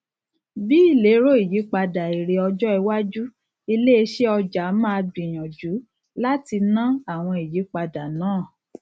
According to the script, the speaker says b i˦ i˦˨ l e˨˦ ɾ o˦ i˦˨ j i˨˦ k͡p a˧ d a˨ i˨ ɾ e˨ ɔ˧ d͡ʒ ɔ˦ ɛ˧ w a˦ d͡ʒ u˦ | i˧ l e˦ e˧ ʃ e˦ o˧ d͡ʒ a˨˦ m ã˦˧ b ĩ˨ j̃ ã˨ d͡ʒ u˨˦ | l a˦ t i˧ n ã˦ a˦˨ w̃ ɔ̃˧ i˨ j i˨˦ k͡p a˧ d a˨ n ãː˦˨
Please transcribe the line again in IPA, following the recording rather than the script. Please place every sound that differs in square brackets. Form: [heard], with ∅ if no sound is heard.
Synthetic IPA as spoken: b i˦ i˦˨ l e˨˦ ɾ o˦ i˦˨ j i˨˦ k͡p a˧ d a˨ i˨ ɾ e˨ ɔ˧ d͡ʒ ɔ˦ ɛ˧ w a˦ d͡ʒ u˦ | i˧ l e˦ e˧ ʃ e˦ [ɔ˧] d͡ʒ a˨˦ m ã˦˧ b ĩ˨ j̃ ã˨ d͡ʒ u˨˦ | l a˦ t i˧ n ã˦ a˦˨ w̃ ɔ̃˧ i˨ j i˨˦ k͡p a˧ d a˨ n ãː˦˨